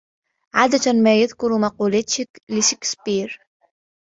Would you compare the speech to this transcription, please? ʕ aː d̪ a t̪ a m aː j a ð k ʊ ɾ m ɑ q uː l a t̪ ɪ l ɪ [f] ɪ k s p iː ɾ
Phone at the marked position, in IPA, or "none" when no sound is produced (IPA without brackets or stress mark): ʃ